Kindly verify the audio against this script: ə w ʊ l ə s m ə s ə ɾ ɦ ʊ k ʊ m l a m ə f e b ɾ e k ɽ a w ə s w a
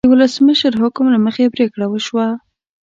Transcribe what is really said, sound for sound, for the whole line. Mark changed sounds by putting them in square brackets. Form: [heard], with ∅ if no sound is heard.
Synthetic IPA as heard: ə w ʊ l ə s m ə [ʃ] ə ɾ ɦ ʊ k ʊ m l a m ə [x] e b ɾ e k ɽ a w ə [ʃ] w a